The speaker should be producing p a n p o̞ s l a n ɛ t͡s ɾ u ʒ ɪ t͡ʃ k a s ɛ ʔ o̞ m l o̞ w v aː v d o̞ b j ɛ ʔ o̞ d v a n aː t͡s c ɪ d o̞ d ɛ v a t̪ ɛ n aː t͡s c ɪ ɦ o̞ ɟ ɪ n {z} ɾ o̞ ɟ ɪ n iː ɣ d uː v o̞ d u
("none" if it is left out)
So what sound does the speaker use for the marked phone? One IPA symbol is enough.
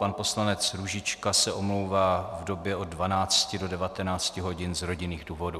z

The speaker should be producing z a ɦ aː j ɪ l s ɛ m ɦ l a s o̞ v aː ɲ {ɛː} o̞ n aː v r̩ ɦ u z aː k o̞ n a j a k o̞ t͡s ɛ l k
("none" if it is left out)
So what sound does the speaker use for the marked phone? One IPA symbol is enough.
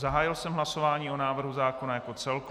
iː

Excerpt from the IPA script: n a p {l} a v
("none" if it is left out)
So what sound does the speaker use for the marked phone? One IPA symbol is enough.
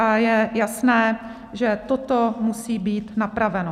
ɾ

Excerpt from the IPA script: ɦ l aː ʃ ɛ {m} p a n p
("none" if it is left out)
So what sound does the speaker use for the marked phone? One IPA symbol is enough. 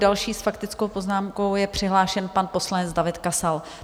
n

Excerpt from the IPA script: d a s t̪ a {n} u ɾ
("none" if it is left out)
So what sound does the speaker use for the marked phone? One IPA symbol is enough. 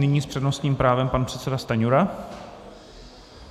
ɲ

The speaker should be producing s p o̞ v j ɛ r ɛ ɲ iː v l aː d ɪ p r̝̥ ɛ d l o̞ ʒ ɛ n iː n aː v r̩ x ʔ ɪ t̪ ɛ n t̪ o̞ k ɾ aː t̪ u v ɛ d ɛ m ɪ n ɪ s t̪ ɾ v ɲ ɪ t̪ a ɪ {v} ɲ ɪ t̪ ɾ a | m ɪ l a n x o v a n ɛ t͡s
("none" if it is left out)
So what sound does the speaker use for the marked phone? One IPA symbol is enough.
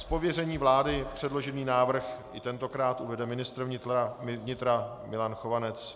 v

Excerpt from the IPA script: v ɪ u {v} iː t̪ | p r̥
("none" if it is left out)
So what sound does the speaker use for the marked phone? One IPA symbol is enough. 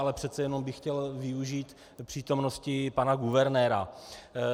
ʒ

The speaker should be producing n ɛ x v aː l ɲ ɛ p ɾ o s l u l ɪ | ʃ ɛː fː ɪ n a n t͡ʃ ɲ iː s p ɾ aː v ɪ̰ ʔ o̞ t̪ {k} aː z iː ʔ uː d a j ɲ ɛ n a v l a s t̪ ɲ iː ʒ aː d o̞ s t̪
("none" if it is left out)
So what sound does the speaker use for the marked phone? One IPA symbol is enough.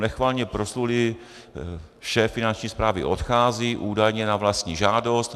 x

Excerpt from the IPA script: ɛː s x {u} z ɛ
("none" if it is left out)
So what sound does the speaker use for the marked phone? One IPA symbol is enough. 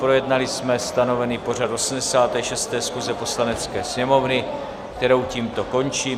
u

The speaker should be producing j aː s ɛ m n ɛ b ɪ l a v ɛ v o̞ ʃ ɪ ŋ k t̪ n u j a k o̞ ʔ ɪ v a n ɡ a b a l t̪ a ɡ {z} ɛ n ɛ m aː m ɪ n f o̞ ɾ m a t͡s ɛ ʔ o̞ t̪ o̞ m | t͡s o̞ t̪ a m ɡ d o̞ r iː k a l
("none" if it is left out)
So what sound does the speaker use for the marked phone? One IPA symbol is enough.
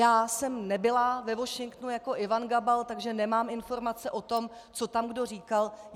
ʒ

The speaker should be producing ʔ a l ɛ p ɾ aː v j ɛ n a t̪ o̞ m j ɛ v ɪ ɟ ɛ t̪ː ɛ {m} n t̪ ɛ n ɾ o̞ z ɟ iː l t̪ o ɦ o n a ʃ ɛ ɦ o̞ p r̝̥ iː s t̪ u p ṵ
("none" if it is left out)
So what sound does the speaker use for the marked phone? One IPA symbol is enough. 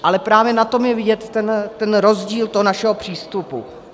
none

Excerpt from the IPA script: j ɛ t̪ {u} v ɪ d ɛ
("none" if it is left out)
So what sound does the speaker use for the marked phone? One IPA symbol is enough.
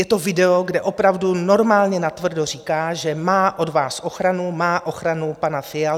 o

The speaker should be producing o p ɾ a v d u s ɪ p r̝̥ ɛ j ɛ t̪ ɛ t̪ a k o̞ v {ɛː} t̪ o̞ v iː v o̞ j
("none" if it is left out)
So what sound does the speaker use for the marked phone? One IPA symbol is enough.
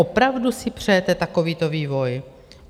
iː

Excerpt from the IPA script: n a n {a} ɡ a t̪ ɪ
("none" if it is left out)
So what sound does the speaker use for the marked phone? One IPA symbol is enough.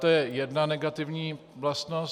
ɛ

